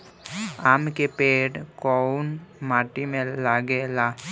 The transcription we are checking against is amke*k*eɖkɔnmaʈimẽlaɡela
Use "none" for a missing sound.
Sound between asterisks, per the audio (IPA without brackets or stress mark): p